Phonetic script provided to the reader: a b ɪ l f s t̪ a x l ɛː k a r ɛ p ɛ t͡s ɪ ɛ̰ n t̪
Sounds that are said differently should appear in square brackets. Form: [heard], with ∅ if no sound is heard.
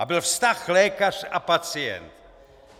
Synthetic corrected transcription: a b ɪ l f s t̪ a x l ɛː k a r [a] p [a] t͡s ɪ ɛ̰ n t̪